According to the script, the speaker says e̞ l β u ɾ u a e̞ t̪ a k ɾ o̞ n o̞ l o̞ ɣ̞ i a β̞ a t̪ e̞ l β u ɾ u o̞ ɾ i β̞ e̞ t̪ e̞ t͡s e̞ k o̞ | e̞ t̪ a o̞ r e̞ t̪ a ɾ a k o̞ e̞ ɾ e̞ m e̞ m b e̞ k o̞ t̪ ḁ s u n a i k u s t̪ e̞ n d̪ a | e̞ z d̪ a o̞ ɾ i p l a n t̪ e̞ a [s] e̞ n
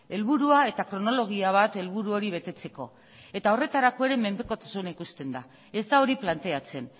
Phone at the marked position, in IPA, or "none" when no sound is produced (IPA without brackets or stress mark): t͡s